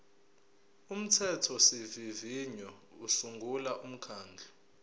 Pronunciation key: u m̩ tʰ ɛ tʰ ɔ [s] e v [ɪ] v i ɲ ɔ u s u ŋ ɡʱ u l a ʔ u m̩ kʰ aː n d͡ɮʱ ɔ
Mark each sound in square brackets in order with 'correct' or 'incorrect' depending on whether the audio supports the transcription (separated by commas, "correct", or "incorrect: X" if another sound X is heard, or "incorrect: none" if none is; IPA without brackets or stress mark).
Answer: correct, incorrect: i